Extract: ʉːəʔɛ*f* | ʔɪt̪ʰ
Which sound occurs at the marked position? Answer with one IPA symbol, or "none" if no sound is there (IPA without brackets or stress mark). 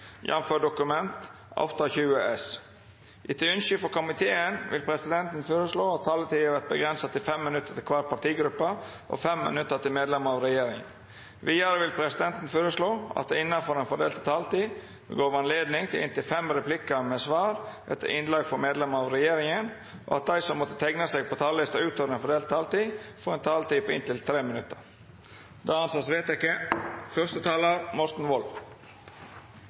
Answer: s